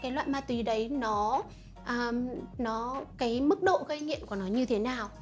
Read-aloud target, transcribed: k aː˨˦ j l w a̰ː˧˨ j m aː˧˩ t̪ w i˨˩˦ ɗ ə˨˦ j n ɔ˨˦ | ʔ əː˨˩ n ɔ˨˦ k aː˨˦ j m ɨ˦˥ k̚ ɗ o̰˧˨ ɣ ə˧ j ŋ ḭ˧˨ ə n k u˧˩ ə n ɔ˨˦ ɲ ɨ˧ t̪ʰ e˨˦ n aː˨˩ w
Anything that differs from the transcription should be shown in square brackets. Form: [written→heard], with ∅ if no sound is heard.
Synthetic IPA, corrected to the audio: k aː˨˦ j l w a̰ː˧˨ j m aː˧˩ t̪ w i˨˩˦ ɗ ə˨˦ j n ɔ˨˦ | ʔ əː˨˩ n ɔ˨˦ k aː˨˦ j m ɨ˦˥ k̚ ɗ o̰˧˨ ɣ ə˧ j ŋ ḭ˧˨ ə n k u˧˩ ə n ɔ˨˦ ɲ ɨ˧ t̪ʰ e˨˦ n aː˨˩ w